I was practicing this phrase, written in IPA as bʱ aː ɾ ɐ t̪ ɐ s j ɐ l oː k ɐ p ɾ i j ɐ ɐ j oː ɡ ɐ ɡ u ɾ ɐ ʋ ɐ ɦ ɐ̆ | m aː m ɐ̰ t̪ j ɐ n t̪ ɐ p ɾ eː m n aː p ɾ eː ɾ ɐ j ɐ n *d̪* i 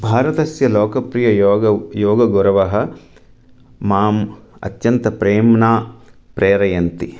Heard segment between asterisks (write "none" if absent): t̪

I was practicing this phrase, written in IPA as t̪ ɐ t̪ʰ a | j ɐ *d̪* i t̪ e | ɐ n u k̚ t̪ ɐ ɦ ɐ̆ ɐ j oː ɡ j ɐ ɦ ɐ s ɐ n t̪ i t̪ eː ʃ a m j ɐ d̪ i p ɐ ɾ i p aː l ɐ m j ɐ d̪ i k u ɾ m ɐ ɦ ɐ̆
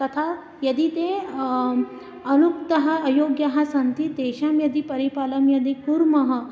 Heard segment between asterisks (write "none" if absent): d̪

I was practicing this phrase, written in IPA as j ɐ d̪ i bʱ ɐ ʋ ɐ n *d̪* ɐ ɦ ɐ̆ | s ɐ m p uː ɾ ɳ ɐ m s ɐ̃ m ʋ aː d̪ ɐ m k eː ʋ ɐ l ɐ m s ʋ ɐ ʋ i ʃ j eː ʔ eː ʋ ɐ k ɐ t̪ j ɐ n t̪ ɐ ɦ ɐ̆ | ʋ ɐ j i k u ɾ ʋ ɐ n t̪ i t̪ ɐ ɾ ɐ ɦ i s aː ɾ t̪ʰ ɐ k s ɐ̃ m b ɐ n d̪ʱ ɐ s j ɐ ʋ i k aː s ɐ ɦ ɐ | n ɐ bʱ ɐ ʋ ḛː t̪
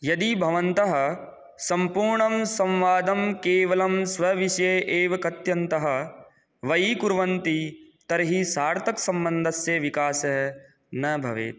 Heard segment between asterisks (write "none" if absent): t̪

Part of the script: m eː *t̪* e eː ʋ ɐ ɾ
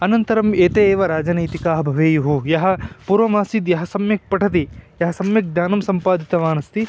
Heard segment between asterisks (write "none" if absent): t̪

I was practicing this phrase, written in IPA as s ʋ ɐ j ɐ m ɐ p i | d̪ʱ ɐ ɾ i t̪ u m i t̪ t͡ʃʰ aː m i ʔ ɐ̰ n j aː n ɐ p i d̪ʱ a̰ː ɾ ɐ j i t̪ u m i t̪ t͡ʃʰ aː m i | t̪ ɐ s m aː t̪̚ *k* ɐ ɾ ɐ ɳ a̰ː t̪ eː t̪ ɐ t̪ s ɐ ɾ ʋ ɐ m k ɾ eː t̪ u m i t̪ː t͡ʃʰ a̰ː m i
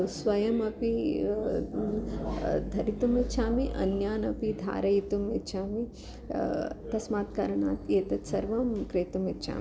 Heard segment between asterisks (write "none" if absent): k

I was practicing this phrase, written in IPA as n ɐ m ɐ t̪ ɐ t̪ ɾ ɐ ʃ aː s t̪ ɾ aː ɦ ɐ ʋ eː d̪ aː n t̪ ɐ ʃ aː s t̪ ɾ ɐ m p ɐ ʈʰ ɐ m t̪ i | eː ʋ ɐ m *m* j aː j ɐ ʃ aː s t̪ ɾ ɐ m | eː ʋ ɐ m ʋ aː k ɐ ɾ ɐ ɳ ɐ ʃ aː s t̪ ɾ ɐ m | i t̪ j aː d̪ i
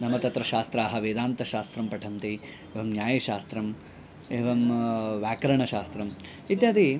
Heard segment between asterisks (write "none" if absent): n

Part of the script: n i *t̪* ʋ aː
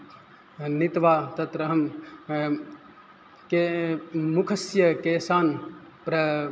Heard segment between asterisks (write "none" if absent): t̪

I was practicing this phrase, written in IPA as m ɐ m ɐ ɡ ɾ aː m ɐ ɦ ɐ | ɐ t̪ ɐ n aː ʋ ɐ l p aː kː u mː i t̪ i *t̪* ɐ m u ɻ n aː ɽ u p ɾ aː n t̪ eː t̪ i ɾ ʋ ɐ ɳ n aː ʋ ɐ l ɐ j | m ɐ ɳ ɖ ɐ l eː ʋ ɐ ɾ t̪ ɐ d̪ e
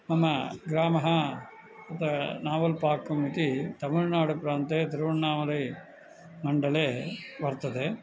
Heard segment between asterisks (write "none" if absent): t̪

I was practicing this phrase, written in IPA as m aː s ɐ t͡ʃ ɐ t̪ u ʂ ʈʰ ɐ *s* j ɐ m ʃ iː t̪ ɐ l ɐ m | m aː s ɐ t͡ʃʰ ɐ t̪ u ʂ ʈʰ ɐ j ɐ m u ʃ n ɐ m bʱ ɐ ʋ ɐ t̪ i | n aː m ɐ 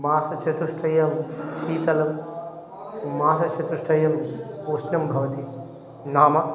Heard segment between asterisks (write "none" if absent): none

